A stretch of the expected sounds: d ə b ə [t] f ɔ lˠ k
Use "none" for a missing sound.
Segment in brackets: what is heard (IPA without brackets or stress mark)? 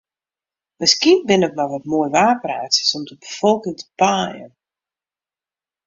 none